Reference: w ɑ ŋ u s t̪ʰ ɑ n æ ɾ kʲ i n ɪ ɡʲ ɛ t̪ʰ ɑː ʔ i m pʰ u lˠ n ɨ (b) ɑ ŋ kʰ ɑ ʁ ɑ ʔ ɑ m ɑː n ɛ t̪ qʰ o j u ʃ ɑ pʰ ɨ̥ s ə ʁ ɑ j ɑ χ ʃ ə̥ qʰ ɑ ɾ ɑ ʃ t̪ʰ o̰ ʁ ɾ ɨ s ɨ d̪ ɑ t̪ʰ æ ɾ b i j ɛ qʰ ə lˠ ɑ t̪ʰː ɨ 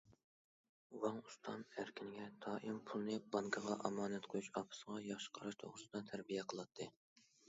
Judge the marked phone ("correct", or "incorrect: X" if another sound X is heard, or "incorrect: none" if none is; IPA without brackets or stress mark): correct